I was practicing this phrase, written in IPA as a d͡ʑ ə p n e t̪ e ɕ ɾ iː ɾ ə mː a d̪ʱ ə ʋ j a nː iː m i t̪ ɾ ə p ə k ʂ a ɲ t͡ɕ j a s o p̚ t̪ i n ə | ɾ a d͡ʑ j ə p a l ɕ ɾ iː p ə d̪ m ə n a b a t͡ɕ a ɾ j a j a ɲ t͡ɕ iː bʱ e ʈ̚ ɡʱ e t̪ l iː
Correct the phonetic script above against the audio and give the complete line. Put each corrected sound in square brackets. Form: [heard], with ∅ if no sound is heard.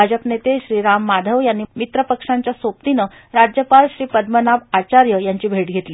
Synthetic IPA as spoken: a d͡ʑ ə p n e t̪ e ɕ ɾ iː ɾ [a] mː a d̪ʱ ə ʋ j a nː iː m i t̪ ɾ ə p ə k ʂ a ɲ t͡ɕ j a s o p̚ t̪ i n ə | ɾ a d͡ʑ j ə p a l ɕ ɾ iː p ə d̪ m ə n a b a t͡ɕ a ɾ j [ə] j a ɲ t͡ɕ iː bʱ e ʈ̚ ɡʱ e t̪ l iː

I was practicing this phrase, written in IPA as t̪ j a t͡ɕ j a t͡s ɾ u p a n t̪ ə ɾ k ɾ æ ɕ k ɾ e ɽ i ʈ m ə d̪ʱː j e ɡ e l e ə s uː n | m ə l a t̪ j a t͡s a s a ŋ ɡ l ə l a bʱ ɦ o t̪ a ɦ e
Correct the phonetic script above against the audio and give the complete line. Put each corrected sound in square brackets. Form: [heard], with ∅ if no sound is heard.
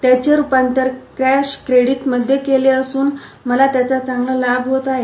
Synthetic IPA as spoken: t̪ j a t͡ɕ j a [∅] ɾ u p a n t̪ ə ɾ k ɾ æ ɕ k ɾ e ɽ i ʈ m ə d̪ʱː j e [k] e l e ə s uː n | m ə l a t̪ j a t͡s a [t͡s] a ŋ ɡ l ə l a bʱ ɦ o t̪ a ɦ e

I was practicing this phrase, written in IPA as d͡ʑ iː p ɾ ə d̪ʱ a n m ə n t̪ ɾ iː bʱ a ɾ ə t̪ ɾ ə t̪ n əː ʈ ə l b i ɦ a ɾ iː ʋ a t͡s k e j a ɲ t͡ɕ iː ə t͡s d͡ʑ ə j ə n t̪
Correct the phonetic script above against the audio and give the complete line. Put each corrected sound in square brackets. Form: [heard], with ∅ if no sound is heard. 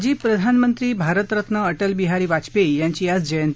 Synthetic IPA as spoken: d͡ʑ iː p ɾ ə d̪ʱ a n m ə n t̪ ɾ iː bʱ a ɾ ə t̪ ɾ ə t̪ n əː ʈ ə l b i ɦ a ɾ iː ʋ a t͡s [p] e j a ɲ t͡ɕ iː [a] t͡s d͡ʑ ə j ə n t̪

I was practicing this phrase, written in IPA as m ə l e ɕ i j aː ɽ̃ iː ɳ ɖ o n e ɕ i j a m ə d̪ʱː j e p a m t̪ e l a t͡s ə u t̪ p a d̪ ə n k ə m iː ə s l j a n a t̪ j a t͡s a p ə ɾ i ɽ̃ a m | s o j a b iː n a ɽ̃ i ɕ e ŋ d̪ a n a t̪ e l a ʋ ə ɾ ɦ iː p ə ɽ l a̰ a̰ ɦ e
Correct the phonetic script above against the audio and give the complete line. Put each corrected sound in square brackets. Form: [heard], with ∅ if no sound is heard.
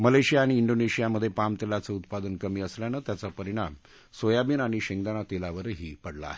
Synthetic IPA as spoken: m ə l e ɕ i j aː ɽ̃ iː ɳ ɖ o n e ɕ i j a m ə d̪ʱː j e p a m t̪ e l a t͡s ə u t̪ p a d̪ ə n k ə m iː ə s l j a n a t̪ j a t͡s a p ə ɾ i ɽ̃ a m | s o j a b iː n a ɽ̃ i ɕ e ŋ d̪ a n a t̪ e l a ʋ ə ɾ ɦ iː p ə ɽ l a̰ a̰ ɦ e

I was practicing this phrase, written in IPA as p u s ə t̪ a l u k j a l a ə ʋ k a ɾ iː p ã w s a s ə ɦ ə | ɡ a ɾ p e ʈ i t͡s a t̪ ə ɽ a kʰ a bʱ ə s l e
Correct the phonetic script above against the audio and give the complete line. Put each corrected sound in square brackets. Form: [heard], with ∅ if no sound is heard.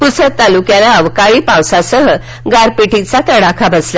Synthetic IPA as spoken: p u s ə t̪ a l u k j a l a ə ʋ k a [ɭ] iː p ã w s a s ə ɦ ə | ɡ a ɾ p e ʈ i t͡s a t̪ ə ɽ a kʰ a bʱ ə s l [a]

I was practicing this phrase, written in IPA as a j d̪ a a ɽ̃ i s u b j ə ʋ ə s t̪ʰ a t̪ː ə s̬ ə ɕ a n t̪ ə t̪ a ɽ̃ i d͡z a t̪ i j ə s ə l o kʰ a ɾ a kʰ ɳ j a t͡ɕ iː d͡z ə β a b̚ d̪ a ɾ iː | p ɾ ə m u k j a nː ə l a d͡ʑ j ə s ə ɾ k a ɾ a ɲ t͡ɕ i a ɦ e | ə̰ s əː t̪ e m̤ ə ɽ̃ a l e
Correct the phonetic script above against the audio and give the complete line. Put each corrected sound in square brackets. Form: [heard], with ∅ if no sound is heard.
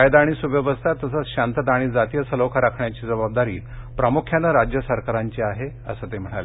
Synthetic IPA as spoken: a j d̪ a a ɽ̃ i s u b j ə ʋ ə s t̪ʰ a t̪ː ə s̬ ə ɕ a n t̪ ə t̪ a ɽ̃ i d͡z a t̪ i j ə s ə l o kʰ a ɾ a kʰ ɳ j a t͡ɕ iː d͡z ə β a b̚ d̪ a ɾ iː | p ɾ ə m u [kʰ] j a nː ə [ɾ] a d͡ʑ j ə s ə ɾ k a ɾ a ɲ t͡ɕ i a ɦ e | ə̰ s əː t̪ e m̤ ə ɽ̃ a l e

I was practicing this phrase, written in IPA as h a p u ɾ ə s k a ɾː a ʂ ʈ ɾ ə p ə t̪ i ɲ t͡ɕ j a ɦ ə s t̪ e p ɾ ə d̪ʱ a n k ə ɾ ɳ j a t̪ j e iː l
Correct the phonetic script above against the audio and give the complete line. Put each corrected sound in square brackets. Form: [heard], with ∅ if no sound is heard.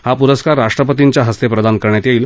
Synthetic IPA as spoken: h a p u ɾ ə s k a ɾː a ʂ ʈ ɾ ə p ə t̪ i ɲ t͡ɕ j a ɦ ə s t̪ e p ɾ ə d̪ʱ a n k ə ɾ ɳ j a t̪ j e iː l

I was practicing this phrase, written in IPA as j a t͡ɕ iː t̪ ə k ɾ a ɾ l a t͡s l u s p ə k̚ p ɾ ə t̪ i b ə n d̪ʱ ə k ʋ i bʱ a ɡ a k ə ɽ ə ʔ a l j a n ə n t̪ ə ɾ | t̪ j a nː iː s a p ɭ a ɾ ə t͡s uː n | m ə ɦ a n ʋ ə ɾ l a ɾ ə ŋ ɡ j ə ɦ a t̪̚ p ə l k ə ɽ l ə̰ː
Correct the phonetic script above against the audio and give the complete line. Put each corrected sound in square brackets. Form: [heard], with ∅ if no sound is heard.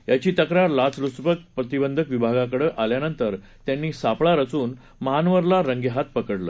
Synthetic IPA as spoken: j a t͡ɕ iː t̪ ə k ɾ a ɾ l a t͡s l u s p ə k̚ p ɾ ə t̪ i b ə n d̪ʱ ə k ʋ i bʱ a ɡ a k ə ɽ ə ʔ a l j a n ə n t̪ ə ɾ | t̪ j a nː iː s a p ɭ a ɾ ə t͡s uː n | m ə ɦ a n ʋ ə ɾ l a ɾ ə ŋ ɡ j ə ɦ a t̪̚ p ə [∅] k ə ɽ l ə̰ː

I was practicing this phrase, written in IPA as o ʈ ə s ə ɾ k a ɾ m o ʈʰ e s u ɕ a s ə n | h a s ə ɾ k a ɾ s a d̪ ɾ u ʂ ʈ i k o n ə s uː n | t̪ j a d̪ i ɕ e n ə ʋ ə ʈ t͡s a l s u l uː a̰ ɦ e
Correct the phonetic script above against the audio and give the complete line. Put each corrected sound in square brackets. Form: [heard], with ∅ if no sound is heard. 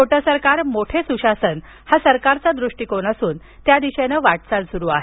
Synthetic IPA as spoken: o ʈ ə s ə ɾ k a ɾ m o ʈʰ e s u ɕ a s ə n | h a s ə ɾ k a ɾ [t͡s] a d̪ ɾ u ʂ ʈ i k o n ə s uː n | t̪ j a d̪ i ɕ e n ə ʋ [a] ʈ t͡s a l s u [ɾ] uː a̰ ɦ e

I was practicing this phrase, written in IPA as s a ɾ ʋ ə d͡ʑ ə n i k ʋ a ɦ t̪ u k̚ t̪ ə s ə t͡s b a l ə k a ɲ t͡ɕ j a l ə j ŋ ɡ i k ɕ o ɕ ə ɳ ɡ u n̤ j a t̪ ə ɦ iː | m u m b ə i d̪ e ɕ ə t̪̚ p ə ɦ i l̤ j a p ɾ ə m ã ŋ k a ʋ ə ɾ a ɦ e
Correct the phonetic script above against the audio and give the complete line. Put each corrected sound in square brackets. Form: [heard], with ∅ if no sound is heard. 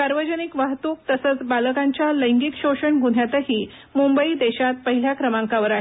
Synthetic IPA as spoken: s a ɾ ʋ ə d͡ʑ ə n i k ʋ a ɦ t̪ u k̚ t̪ ə s ə t͡s b a l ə k a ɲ t͡ɕ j a l ə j ŋ ɡ i k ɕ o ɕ ə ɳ ɡ u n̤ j a t̪ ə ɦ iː | m u m b ə i d̪ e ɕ [a] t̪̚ p ə ɦ i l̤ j a [k] ɾ ə m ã ŋ k a ʋ ə ɾ a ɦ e

